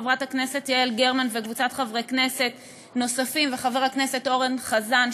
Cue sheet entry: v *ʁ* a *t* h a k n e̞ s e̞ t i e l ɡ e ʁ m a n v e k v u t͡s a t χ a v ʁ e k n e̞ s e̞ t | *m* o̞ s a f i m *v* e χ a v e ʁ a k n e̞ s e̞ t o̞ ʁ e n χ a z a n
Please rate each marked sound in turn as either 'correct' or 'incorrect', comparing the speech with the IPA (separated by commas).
correct, correct, incorrect, correct